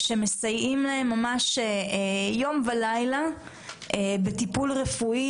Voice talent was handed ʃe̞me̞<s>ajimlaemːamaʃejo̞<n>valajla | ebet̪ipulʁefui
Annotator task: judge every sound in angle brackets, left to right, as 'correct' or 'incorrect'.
correct, incorrect

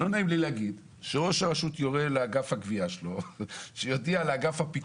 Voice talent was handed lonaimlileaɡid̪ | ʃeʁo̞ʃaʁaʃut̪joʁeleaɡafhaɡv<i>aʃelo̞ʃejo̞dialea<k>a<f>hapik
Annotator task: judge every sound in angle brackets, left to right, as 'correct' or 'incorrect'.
correct, incorrect, correct

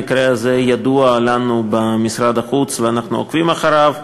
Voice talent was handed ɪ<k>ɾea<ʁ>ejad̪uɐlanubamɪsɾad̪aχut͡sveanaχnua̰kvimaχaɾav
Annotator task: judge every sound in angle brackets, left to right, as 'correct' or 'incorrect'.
correct, incorrect

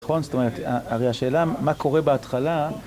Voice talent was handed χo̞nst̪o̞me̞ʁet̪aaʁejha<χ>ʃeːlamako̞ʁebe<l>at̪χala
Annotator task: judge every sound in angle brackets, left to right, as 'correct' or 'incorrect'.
incorrect, incorrect

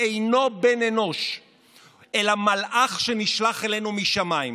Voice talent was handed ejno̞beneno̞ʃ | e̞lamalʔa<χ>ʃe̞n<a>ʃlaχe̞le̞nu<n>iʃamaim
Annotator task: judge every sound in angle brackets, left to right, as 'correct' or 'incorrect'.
correct, incorrect, incorrect

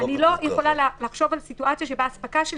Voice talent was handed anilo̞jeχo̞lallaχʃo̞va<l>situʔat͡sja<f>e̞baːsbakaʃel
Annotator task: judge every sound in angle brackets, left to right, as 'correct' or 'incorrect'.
correct, incorrect

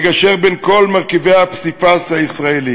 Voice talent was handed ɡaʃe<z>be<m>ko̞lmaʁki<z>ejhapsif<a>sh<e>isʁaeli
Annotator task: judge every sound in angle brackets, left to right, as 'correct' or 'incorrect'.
incorrect, incorrect, incorrect, correct, incorrect

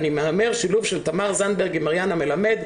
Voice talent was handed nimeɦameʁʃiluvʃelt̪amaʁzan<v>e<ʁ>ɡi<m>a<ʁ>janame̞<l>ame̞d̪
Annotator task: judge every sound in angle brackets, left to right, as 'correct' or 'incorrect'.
incorrect, correct, correct, correct, correct

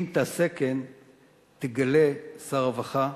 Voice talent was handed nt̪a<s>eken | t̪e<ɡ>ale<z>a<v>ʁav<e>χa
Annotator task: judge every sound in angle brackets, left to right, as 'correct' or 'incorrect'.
correct, correct, incorrect, incorrect, incorrect

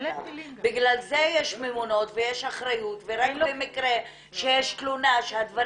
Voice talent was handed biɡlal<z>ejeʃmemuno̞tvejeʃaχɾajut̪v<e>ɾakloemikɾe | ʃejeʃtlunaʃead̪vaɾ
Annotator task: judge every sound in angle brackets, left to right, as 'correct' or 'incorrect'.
correct, correct

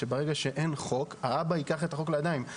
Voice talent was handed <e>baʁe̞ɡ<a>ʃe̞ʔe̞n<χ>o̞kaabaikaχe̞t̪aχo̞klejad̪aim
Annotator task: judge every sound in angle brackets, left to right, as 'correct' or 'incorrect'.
correct, correct, correct

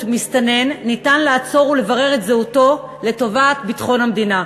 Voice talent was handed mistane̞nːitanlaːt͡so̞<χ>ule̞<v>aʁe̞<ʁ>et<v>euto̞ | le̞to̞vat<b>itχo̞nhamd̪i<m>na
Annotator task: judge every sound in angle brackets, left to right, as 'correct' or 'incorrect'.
incorrect, correct, correct, incorrect, correct, incorrect

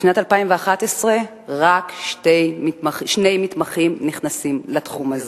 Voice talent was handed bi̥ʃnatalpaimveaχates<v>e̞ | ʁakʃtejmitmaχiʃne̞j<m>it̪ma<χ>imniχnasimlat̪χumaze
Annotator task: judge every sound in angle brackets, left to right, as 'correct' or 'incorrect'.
incorrect, correct, correct

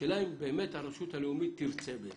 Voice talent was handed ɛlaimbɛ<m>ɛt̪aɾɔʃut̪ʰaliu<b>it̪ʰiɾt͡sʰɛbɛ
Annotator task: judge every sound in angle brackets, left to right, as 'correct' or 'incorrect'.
correct, incorrect

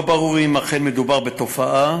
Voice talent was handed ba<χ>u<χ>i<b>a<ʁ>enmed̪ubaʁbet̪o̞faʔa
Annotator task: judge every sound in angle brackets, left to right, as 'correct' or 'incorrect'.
incorrect, incorrect, incorrect, incorrect

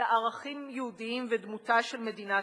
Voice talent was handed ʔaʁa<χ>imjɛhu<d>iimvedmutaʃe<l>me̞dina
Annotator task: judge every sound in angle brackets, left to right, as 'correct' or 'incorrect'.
correct, correct, correct

